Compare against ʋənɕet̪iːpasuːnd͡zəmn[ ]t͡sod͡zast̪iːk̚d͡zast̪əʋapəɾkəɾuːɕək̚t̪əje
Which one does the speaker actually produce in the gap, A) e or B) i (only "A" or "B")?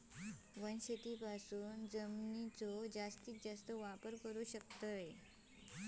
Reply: B